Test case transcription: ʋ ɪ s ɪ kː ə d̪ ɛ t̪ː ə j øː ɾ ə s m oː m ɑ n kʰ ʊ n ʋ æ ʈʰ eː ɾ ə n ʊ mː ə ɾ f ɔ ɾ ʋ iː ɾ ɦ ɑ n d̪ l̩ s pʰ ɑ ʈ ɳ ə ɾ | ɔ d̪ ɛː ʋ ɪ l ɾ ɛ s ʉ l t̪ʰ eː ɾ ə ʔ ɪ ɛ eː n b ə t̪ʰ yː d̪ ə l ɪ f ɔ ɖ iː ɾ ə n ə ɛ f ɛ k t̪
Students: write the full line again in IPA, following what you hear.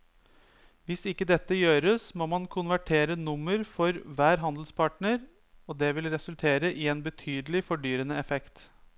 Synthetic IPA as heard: ʋ ɪ s ɪ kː ə d̪ ɛ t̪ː ə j øː ɾ ə s m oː m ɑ n kʰ ʊ n ʋ æ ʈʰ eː ɾ ə n ʊ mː ə ɾ f ɔ ɾ ʋ æː ɾ ɦ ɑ n d̪ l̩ s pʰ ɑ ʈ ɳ ə ɾ | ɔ d̪ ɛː ʋ ɪ l ɾ ɛ s ʉ l t̪ʰ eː ɾ ə ʔ ɪ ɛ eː n b ə t̪ʰ yː d̪ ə l ɪ f ɔ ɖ yː ɾ ə n ə ɛ f ɛ k t̪

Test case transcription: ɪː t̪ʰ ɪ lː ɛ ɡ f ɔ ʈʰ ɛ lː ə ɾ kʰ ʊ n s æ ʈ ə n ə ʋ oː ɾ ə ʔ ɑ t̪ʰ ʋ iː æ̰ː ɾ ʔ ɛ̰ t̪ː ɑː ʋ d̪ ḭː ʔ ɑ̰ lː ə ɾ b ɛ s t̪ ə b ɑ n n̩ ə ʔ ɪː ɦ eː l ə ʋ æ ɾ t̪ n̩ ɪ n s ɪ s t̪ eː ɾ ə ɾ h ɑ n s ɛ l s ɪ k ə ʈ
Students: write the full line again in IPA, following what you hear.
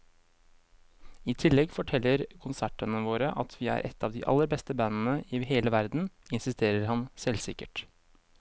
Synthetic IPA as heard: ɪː t̪ʰ ɪ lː ɛ ɡ f ɔ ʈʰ ɛ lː ə ɾ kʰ ʊ n s æ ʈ ə n ə ʋ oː ɾ ə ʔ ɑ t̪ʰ ʋ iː æ̰ː ɾ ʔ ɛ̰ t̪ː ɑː ʋ d̪ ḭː ʔ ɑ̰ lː ə ɾ b ɛ s t̪ ə b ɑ n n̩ ə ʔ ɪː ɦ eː l ə ʋ æ ɾ d̪ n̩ ɪ n s ɪ s t̪ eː ɾ ə ɾ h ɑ n s ɛ l s ɪ k ə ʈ

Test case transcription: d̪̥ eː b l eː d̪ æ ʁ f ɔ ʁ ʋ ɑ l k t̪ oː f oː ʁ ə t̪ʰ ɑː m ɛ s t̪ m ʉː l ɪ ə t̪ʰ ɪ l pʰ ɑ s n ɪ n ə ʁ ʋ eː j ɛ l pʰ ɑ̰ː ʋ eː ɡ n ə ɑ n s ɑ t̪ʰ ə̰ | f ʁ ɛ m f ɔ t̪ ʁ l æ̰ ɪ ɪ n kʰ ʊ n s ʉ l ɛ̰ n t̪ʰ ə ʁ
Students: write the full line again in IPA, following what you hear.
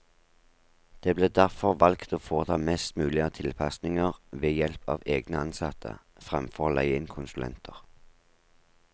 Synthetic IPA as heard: d̪̥ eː b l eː d̪ æ ʁ f ɔ ʁ ʋ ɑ l k t̪ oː f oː ʁ ə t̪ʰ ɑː m ɛ s t̪ m ʉː l ɪ ə t̪ʰ ɪ l pʰ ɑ s n ɪ ŋ ə ʁ ʋ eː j ɛ l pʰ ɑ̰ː ʋ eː ɡ n ə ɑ n s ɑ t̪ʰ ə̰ | f ʁ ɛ m f ɔ ʁ l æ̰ ɪ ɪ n kʰ ʊ n s ʉ l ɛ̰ n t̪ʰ ə ʁ

